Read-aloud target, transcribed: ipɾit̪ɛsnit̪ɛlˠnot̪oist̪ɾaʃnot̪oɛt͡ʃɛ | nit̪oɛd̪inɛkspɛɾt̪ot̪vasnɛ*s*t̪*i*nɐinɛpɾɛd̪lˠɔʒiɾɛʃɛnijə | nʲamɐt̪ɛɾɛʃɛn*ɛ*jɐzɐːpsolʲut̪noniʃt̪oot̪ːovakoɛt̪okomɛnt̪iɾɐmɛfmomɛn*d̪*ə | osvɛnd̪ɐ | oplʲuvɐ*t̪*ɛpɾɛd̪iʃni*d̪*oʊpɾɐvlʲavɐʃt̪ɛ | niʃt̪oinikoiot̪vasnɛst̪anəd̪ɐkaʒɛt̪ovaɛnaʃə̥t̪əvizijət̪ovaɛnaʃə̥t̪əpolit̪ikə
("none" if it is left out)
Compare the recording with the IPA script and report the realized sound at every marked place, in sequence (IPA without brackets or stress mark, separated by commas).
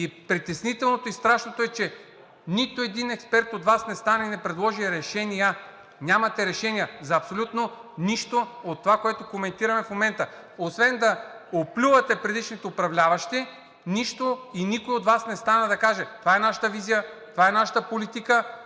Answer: s, a, i, t̪, t̪, t̪